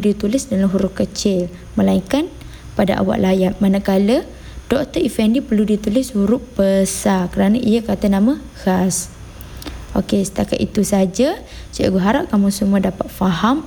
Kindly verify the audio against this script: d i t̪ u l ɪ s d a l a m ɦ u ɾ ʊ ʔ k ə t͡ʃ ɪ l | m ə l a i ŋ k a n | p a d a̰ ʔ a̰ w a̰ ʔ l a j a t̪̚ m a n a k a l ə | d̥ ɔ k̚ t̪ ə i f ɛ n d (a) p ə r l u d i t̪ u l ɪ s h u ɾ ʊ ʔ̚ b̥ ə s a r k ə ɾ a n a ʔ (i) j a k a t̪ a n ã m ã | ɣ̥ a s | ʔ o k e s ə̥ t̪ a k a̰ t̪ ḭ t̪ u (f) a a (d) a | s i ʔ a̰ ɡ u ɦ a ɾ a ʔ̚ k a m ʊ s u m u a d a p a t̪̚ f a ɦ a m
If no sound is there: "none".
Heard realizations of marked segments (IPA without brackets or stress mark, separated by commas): i, i, s, d͡ʒ